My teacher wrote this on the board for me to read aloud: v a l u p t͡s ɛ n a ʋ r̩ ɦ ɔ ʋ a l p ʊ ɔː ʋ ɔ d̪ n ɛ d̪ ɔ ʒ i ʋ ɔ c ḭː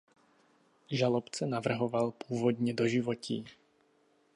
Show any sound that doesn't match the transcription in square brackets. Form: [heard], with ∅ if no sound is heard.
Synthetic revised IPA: [ʒ] a l [ɔ] p t͡s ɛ n a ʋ r̩ ɦ ɔ ʋ a l p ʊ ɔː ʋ ɔ d̪ [ɲ] ɛ d̪ ɔ ʒ i ʋ ɔ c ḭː